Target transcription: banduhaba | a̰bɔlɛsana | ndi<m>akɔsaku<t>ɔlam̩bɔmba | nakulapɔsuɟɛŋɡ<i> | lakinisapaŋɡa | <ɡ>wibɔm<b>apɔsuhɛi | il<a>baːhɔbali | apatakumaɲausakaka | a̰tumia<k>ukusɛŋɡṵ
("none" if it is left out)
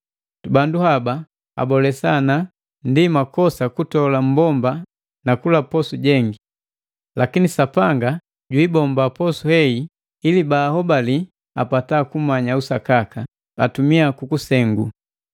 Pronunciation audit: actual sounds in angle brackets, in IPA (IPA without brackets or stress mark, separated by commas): m, t, i, ɟ, b, i, k